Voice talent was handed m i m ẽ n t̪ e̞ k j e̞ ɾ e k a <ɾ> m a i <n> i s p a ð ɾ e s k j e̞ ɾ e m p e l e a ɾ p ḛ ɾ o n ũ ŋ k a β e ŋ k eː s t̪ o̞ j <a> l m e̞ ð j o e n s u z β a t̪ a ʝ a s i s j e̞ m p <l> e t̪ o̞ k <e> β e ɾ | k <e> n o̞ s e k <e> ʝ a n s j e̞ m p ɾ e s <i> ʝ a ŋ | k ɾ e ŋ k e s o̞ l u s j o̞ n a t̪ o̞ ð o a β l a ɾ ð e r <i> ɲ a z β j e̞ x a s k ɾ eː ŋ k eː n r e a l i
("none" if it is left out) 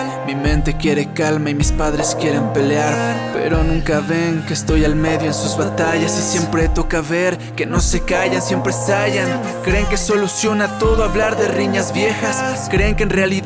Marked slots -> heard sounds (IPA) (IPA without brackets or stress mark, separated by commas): l, m, a, ɾ, a, e, a, a, i